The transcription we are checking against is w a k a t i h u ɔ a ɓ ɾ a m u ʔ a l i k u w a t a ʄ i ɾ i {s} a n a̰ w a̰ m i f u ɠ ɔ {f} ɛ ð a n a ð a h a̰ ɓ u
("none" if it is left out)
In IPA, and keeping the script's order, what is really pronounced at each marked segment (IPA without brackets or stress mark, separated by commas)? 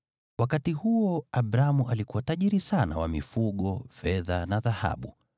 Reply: s, f